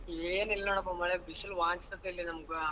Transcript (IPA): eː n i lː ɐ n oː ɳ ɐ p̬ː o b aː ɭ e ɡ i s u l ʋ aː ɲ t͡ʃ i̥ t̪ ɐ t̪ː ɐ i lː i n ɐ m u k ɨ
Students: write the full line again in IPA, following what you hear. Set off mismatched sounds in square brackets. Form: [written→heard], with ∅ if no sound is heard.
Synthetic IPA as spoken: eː n i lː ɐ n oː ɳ ɐ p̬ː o [b→m] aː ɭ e [ɡ→b] i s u l ʋ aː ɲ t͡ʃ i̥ t̪ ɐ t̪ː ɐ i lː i n ɐ m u k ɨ